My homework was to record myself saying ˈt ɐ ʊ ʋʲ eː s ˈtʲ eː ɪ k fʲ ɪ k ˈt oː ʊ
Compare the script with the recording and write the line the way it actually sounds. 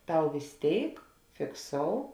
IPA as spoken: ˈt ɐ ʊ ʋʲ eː s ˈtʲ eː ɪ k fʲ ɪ k ˈs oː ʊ